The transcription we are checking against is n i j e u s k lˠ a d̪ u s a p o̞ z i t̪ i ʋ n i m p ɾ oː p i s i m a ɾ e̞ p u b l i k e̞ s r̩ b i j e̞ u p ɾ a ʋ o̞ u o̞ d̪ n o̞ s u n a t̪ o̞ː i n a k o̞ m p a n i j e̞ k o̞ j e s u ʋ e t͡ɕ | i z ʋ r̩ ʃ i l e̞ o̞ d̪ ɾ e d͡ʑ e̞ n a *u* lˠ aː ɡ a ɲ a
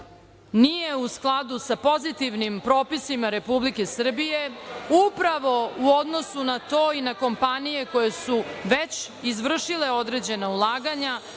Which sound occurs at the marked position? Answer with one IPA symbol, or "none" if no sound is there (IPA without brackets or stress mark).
u